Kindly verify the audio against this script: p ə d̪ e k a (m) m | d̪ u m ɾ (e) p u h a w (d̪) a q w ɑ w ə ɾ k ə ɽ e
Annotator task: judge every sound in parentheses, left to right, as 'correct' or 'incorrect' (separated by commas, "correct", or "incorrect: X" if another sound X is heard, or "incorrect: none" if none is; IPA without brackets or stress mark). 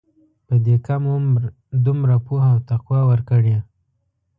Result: correct, incorrect: a, incorrect: t̪